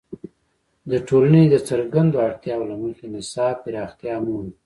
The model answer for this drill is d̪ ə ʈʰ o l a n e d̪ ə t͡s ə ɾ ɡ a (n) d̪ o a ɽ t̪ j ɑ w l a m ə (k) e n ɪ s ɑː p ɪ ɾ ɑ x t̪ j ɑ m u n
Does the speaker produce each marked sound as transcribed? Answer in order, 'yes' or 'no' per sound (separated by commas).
yes, no